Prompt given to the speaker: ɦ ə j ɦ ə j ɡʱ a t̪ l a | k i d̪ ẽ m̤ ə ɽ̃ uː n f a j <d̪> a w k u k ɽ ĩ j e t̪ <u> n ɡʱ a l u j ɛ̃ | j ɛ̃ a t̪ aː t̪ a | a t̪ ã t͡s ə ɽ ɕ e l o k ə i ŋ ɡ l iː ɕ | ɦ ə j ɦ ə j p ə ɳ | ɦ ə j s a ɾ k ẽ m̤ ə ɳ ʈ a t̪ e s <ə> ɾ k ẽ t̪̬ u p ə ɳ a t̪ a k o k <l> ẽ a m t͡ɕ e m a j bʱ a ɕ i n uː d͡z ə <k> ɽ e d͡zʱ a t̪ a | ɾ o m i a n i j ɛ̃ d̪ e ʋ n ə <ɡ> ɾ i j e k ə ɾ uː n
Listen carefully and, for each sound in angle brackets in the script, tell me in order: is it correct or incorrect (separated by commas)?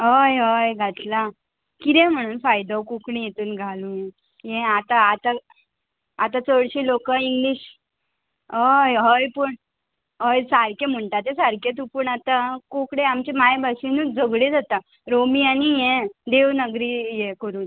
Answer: correct, incorrect, incorrect, incorrect, incorrect, correct